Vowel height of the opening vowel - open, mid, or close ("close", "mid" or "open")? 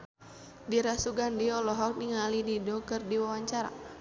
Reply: close